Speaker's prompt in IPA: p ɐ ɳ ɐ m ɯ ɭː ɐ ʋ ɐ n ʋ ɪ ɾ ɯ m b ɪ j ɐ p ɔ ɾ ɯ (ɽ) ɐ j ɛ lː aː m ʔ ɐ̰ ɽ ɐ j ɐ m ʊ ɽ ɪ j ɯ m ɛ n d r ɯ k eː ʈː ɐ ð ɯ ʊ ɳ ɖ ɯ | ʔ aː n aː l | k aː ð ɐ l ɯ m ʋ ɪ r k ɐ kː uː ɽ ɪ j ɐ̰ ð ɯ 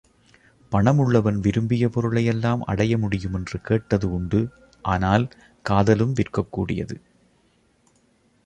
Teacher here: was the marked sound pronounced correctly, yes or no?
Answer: no